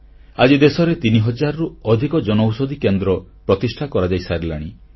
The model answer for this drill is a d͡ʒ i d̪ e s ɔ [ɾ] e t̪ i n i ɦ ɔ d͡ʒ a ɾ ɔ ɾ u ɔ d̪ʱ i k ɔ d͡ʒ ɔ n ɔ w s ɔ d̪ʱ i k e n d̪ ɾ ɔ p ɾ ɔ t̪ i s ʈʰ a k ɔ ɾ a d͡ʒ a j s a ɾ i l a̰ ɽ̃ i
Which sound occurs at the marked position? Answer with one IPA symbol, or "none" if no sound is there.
ɾ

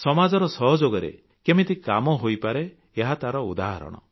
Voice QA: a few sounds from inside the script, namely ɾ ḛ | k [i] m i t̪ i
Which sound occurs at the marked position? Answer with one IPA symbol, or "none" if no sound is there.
e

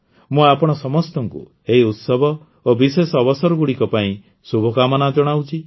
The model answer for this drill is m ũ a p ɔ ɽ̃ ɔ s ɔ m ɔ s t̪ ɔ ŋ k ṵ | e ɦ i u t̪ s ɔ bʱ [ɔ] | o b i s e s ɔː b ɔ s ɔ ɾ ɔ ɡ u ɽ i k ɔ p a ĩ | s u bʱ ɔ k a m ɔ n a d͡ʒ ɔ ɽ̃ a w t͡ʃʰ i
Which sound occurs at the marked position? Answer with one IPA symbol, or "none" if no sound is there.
ɔ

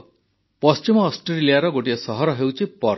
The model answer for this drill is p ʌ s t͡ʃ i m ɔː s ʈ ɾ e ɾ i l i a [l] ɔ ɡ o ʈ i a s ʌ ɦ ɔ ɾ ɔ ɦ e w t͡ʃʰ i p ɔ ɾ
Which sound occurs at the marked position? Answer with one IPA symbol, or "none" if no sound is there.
ɾ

